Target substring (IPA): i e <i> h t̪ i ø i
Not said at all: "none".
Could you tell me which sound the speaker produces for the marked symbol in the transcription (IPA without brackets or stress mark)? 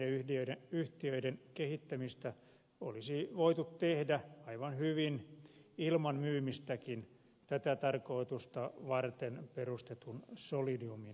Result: y